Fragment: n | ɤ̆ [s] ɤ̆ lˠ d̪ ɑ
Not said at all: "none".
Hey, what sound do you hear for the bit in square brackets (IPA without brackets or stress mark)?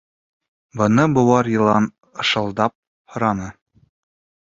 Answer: ʃ